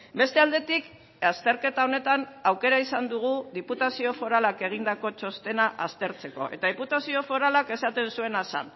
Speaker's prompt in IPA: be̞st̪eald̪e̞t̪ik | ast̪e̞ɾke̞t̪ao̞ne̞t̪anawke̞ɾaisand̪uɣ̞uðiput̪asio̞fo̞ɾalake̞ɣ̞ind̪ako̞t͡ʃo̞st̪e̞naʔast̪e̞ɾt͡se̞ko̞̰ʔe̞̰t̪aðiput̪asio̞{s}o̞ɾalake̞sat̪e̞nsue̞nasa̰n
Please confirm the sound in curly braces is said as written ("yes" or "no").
no